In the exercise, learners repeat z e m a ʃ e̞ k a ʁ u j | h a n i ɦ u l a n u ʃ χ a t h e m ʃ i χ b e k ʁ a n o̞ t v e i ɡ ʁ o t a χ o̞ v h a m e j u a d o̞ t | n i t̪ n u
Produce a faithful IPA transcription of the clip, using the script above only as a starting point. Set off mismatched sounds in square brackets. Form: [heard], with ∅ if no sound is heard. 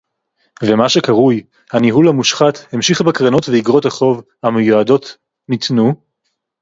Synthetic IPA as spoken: [v] e m a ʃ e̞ k a ʁ u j | h a n i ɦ u l a [m] u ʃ χ a t h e m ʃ i χ b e k ʁ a n o̞ t v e i ɡ ʁ o t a χ o̞ v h a m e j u a d o̞ t | n i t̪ n u